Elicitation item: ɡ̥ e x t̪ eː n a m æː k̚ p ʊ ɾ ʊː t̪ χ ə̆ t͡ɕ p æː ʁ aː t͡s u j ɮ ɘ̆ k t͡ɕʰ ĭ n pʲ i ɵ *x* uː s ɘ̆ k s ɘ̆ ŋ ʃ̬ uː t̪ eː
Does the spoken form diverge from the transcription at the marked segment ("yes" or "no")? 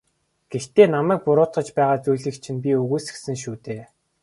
yes